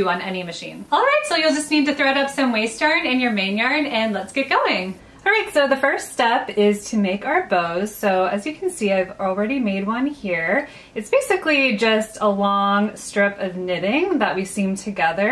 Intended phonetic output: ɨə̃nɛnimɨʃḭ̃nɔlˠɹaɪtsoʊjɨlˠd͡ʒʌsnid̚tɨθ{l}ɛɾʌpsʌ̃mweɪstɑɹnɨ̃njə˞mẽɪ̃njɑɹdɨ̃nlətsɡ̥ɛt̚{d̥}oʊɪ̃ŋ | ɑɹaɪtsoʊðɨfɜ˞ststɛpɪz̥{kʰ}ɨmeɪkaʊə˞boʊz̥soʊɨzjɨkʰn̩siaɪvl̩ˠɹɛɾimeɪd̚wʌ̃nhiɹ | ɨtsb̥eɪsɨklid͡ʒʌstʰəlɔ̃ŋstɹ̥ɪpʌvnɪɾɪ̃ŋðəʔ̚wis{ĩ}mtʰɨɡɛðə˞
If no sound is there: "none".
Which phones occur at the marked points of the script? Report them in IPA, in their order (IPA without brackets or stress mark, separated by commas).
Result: ɹ, ɡ̥, tʰ, ĩ